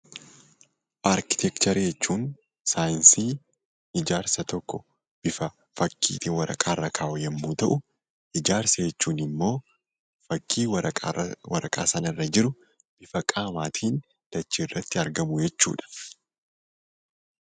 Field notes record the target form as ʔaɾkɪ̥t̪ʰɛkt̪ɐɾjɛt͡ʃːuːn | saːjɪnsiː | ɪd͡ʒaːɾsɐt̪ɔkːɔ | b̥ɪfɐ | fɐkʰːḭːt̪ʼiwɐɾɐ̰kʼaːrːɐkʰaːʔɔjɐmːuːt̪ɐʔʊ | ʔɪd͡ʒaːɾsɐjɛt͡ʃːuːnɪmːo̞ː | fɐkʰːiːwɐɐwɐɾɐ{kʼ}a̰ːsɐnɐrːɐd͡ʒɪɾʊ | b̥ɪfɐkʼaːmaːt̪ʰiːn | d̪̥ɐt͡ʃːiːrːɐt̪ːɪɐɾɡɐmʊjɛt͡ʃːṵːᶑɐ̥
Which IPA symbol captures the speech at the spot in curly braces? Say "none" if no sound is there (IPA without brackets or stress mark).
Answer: kʼ